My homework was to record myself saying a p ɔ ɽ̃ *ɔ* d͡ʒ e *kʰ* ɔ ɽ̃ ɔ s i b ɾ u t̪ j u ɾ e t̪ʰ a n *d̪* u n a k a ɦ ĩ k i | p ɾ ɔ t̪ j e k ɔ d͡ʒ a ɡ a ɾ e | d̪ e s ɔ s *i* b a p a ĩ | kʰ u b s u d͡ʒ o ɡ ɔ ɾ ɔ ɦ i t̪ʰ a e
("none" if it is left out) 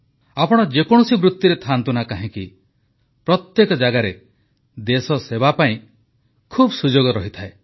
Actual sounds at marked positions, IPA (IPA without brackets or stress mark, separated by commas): ɔ, k, t̪, e